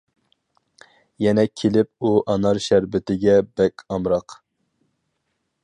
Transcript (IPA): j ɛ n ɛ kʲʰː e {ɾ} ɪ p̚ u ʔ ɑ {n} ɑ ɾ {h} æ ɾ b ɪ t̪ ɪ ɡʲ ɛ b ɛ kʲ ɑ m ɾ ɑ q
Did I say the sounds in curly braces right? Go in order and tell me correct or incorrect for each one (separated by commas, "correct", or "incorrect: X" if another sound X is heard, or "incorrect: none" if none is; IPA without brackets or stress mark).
incorrect: l, correct, incorrect: ʃ